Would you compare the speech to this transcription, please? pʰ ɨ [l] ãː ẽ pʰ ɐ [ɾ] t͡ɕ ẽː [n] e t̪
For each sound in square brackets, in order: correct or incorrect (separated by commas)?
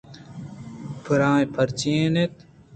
incorrect, correct, correct